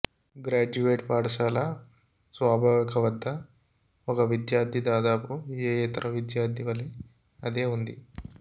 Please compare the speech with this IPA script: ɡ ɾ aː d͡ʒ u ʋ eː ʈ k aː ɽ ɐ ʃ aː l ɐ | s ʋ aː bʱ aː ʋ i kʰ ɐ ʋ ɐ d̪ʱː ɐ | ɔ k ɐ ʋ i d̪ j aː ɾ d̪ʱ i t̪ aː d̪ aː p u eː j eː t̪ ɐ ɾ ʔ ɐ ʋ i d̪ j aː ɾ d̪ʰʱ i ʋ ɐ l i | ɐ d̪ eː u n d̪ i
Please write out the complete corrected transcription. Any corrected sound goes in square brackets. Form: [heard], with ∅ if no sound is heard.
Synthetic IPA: ɡ ɾ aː d͡ʒ u ʋ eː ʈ [p] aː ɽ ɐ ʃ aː l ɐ | s ʋ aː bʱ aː ʋ i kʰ ɐ ʋ ɐ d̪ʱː ɐ | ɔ k ɐ ʋ i d̪ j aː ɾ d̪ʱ i [d̪] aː d̪ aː p u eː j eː t̪ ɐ ɾ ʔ ɐ ʋ i d̪ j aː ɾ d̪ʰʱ i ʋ ɐ l i | ɐ d̪ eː u n d̪ i